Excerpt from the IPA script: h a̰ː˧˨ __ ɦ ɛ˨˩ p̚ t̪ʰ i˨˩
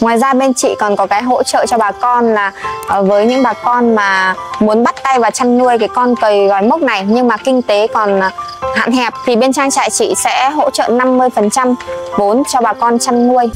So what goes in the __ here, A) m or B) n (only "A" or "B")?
B